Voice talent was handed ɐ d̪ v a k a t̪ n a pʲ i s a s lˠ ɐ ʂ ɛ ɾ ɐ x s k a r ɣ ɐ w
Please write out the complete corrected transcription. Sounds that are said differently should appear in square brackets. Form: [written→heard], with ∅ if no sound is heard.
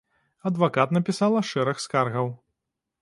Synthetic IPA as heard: ɐ d̪ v a k a t̪ n [a→ɐ] pʲ i s a [s→∅] lˠ ɐ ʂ ɛ ɾ ɐ x s k a r ɣ ɐ w